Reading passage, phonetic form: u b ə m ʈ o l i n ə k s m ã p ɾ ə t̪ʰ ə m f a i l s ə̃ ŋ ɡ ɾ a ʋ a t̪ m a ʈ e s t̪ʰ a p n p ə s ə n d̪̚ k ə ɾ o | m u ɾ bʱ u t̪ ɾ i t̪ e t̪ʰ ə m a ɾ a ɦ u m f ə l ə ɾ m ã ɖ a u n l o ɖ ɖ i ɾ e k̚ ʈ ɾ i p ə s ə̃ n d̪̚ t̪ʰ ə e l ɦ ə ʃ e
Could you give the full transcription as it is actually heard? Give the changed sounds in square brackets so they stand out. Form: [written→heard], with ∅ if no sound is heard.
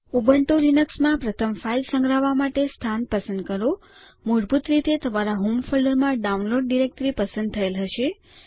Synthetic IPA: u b ə [m→ɳ] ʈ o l i n ə k s m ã p ɾ ə t̪ʰ ə m f a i l s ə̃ ŋ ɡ ɾ a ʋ a [t̪→∅] m a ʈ e s t̪ʰ a [p→∅] n p ə s ə n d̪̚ k ə ɾ o | m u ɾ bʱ u t̪ ɾ i t̪ e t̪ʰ ə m a ɾ a ɦ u m f ə l ə ɾ m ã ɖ a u n l o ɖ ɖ i ɾ e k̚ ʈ ɾ i p ə s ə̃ n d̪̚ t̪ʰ ə e l ɦ ə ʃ e